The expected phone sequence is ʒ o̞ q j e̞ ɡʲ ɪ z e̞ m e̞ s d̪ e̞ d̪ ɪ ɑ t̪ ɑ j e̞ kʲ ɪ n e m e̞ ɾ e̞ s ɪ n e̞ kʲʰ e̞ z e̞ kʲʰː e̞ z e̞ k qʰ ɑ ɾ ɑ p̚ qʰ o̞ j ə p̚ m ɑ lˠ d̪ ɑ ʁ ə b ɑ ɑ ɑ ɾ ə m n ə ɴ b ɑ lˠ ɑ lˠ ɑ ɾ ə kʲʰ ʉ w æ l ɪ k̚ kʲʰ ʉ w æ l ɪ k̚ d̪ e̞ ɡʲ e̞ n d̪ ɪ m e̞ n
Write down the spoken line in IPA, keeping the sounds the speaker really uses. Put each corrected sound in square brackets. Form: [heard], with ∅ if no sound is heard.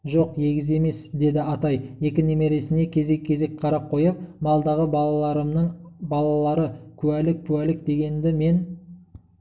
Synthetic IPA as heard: ʒ o̞ q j e̞ ɡʲ ɪ z e̞ m e̞ s d̪ e̞ d̪ ɪ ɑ t̪ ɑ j e̞ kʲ ɪ n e m e̞ ɾ e̞ s ɪ n e̞ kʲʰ e̞ z e̞ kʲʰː e̞ z e̞ k qʰ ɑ ɾ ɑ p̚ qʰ o̞ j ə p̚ m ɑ lˠ d̪ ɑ ʁ ə b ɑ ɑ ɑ ɾ ə m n ə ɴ b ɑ lˠ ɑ lˠ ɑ ɾ ə kʲʰ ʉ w æ l ɪ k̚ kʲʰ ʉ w æ l ɪ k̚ d̪ e̞ ɡʲ e̞ n d̪ ɪ m e̞ n